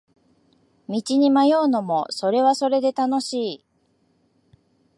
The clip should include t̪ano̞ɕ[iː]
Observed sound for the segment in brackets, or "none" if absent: iː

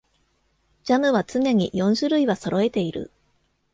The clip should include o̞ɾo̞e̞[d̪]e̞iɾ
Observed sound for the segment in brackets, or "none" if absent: t̪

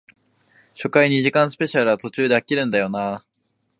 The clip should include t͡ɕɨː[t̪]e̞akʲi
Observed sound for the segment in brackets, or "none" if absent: d̪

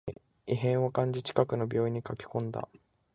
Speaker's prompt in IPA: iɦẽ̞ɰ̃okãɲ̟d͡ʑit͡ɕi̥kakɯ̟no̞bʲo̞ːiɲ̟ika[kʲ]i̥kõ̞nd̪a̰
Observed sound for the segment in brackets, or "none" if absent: kʲ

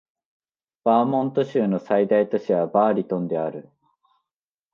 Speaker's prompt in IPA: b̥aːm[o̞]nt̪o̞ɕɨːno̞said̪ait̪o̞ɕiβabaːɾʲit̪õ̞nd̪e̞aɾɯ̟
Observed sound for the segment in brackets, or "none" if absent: õ̞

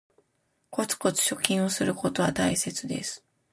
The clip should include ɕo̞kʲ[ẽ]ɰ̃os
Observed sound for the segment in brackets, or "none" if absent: ĩ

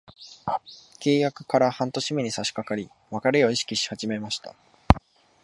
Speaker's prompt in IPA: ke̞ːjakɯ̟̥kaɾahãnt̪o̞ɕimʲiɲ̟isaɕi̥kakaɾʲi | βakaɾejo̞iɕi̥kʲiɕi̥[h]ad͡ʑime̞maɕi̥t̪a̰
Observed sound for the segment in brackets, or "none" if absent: h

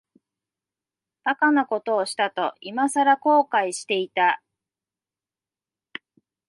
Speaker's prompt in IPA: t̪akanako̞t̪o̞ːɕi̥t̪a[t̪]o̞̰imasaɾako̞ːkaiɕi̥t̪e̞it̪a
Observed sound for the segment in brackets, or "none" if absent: t̪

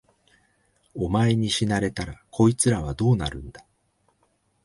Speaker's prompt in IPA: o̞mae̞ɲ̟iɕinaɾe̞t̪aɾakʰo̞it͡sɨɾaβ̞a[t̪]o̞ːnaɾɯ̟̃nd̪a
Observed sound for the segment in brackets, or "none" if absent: d̪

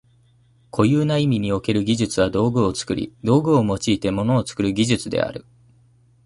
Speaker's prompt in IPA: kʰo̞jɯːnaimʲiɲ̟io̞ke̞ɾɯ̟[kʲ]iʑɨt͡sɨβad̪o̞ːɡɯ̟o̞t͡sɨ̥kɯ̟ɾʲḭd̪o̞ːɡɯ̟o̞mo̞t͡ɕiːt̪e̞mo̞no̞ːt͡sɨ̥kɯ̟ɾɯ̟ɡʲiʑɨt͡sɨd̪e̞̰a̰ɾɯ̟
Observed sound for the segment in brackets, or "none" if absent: ɡʲ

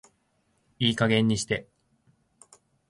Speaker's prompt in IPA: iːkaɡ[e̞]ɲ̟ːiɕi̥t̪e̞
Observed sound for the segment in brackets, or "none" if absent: ẽ̞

